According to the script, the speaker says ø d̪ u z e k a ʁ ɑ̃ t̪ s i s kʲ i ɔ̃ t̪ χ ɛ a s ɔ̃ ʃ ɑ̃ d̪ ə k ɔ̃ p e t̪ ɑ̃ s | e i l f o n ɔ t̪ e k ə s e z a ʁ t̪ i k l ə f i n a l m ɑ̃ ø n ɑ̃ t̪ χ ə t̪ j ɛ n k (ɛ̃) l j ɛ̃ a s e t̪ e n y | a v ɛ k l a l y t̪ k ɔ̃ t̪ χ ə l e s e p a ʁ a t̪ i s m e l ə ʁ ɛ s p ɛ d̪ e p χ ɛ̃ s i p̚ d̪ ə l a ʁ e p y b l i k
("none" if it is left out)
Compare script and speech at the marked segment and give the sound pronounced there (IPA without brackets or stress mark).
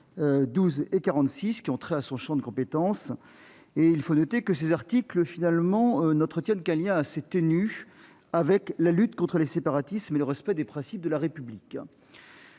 ɛ̃